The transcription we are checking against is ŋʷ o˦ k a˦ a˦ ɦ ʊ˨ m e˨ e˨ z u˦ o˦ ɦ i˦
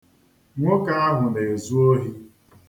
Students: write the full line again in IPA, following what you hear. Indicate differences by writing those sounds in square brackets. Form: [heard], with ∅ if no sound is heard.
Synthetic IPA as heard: ŋʷ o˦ k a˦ a˦ ɦ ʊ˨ [n] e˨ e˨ z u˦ o˦ ɦ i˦